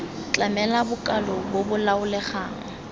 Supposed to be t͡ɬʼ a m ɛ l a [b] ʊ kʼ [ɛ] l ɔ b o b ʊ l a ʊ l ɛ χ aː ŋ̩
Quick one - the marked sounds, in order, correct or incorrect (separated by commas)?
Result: correct, incorrect